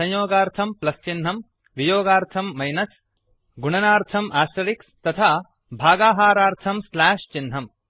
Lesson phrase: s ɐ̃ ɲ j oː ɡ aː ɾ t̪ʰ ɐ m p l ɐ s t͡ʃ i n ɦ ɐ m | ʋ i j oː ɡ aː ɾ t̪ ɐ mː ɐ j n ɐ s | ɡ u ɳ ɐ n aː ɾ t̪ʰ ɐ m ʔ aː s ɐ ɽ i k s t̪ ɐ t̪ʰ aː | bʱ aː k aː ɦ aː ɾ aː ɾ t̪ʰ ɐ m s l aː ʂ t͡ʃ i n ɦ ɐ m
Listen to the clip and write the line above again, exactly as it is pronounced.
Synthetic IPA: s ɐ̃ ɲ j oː ɡ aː ɾ t̪ʰ ɐ m p l ɐ s t͡ʃ i n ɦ ɐ m | ʋ i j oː ɡ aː ɾ t̪ʰ ɐ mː ɐ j n ɐ s | ɡ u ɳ ɐ n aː ɾ t̪ʰ ɐ m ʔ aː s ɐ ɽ i k s t̪ ɐ t̪ʰ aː | bʱ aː ɡ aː ɦ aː ɾ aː ɾ t̪ʰ ɐ m s l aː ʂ t͡ʃ i n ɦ ɐ m